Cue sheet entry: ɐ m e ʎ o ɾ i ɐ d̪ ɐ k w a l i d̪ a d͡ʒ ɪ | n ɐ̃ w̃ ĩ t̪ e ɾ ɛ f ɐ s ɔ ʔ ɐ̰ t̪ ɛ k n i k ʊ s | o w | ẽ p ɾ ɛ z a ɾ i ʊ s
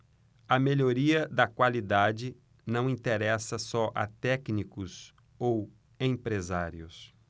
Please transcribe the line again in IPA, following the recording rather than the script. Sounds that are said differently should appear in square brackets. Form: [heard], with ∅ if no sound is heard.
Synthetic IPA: ɐ m e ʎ o ɾ i ɐ d̪ ɐ k w a l i d̪ a d͡ʒ ɪ | n ɐ̃ w̃ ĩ t̪ e ɾ ɛ [s] ɐ s ɔ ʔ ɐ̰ t̪ ɛ k n i k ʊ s | o w | ẽ p ɾ [e] z a ɾ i ʊ s